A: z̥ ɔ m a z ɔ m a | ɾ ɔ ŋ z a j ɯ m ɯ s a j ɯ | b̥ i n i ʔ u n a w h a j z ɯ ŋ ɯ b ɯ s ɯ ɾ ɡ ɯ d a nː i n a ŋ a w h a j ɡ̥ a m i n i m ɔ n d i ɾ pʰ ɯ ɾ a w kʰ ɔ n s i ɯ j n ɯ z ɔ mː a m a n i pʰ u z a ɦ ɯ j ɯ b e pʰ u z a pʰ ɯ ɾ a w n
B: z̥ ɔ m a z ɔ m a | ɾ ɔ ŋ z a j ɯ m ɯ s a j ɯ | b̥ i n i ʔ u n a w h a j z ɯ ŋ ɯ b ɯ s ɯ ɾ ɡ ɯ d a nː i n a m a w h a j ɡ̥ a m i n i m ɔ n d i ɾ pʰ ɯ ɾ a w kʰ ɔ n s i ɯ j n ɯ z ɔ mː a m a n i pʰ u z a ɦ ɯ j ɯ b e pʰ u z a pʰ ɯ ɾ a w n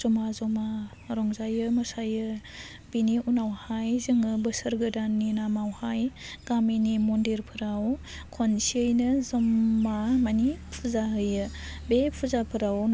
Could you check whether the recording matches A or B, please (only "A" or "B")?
B